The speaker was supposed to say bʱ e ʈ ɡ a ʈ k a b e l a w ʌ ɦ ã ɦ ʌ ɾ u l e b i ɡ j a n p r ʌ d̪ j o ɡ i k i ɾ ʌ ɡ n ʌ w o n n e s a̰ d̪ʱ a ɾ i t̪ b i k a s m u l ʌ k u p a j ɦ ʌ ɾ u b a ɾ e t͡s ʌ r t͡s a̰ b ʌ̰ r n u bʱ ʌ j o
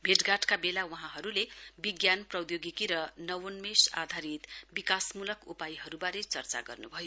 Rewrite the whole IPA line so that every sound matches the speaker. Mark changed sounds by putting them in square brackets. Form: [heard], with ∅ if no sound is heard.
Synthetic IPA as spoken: bʱ e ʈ ɡ a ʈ k a b e l a w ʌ ɦ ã ɦ ʌ ɾ u l e b i ɡ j a n p r ʌ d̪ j o ɡ i k i ɾ ʌ [∅] n ʌ w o n [m] e s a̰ d̪ʱ a ɾ i t̪ b i k a s m u l ʌ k u p a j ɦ ʌ ɾ u b a ɾ e t͡s ʌ r t͡s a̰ [ɡ] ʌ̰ r n u bʱ ʌ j o